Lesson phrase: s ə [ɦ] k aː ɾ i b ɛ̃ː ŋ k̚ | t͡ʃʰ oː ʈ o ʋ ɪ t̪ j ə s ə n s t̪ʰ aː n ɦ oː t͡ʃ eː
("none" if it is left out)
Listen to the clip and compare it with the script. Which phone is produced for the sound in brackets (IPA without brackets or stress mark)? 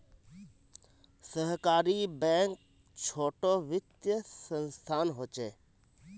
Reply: ɦ